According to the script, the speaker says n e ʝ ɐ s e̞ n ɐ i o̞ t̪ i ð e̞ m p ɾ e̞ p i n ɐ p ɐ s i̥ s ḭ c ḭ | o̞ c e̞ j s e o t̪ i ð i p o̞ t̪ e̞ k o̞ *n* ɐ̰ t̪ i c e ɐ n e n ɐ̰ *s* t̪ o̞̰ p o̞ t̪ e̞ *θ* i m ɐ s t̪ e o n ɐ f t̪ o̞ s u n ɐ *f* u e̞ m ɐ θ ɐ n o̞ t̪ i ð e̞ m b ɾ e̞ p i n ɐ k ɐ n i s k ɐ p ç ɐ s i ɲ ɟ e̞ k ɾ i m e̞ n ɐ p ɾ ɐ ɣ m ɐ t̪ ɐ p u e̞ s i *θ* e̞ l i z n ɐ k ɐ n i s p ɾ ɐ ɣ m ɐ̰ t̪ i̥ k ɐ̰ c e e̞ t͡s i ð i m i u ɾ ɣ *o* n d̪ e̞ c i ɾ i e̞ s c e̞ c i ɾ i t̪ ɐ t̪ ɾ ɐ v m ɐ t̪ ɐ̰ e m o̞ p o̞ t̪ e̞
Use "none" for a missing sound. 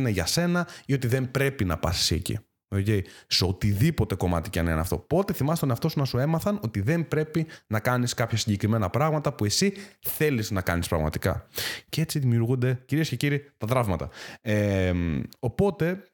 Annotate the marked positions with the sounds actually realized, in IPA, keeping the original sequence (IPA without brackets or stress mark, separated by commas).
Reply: m, f, θ, s, θ, u